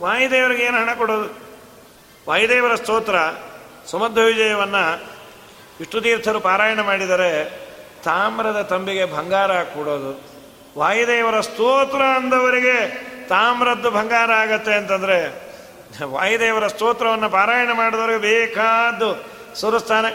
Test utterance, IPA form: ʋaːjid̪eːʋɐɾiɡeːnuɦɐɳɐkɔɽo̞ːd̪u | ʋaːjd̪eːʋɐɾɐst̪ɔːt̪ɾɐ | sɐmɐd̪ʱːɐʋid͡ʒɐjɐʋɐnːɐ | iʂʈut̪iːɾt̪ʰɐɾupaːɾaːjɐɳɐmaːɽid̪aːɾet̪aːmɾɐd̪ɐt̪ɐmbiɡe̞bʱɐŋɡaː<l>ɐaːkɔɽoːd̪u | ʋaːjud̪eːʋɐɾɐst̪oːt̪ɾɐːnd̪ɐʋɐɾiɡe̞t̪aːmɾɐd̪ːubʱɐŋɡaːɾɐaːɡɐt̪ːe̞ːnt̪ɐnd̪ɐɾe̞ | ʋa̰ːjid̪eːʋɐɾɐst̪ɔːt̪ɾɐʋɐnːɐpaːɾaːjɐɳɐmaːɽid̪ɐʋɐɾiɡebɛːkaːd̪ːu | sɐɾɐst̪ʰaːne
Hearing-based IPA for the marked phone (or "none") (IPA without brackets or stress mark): ɾ